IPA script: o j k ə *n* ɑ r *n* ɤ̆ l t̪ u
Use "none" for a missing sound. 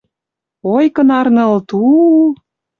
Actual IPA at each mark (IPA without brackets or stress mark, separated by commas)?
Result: n, n